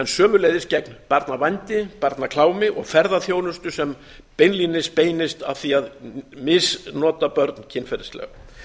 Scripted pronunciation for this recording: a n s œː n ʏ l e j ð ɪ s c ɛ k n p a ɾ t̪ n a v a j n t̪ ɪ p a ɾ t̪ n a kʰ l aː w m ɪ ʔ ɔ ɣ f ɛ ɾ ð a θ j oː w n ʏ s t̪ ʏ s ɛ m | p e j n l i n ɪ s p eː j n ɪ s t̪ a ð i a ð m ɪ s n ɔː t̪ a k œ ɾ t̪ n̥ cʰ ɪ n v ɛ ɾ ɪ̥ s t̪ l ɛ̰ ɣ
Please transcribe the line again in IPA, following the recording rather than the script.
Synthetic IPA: ɛ n s œː m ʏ l e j ð ɪ s c ɛ k n p a ɾ t̪ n a v a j n t̪ ɪ p a ɾ t̪ n a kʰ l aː w m ɪ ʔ ɔ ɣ f ɛ ɾ ð a θ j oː w n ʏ s t̪ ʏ s ɛ m | p e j n l i n ɪ s p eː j n ɪ s t̪ a θ i a ð m ɪ s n ɔː t̪ a p œ ɾ t̪ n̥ cʰ ɪ n f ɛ ɾ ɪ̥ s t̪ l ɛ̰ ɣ